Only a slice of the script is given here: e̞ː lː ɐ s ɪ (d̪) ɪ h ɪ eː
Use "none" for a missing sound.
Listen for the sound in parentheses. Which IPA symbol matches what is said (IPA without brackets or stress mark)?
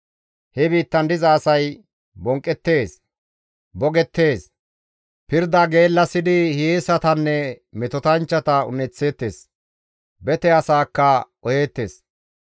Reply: d̪